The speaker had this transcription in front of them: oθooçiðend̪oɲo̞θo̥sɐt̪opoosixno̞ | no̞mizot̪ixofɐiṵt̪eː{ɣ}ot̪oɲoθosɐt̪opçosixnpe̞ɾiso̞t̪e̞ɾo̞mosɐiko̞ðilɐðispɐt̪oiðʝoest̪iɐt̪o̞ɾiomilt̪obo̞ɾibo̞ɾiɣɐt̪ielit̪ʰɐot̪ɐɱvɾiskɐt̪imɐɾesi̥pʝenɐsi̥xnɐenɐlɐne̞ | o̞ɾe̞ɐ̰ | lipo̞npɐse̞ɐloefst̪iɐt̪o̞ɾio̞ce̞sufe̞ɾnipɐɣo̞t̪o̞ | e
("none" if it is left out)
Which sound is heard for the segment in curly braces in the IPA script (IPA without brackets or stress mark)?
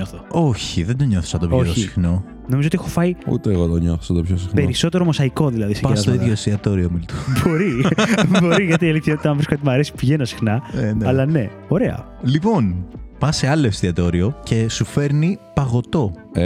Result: ɣ